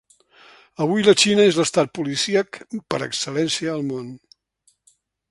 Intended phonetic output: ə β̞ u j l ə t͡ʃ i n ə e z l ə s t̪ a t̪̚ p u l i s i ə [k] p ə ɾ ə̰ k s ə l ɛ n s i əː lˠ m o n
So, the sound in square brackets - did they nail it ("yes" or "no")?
yes